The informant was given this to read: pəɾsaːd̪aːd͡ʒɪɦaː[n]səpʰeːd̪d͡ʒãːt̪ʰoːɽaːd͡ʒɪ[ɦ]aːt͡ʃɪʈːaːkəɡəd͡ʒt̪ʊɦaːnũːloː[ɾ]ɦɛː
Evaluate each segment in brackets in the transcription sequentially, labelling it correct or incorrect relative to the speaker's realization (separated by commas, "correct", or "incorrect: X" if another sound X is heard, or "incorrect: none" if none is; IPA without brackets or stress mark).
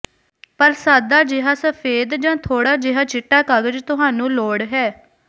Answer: incorrect: none, correct, incorrect: ɽ